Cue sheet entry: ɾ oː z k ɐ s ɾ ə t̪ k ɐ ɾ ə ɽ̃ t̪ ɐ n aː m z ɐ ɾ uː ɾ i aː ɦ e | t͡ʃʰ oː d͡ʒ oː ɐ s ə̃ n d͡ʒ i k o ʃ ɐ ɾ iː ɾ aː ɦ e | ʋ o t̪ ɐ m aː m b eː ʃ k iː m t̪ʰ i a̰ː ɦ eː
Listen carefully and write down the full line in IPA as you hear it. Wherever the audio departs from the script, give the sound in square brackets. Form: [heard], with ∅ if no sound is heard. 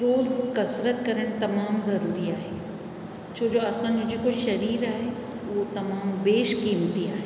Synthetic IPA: ɾ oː z k ɐ s ɾ ə t̪ k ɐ ɾ ə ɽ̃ t̪ ɐ [m] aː m z ɐ ɾ uː ɾ i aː ɦ e | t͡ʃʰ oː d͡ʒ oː ɐ s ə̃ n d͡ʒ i k o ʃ ɐ ɾ iː ɾ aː ɦ e | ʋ o t̪ ɐ m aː m b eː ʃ k iː m [t̪] i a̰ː ɦ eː